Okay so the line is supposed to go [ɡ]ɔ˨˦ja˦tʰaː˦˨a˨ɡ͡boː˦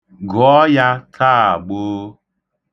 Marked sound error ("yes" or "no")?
no